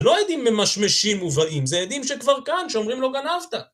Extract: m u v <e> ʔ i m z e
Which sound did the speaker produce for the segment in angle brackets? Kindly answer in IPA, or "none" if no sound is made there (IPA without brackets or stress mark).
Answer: a